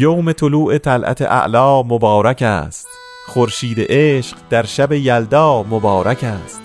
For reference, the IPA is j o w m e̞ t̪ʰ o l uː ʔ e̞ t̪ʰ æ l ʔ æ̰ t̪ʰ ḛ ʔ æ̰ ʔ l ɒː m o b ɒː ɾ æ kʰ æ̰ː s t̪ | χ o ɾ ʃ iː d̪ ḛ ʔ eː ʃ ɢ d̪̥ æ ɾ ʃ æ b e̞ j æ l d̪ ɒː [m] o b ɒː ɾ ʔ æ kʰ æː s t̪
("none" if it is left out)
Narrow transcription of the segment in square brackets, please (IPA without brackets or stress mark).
m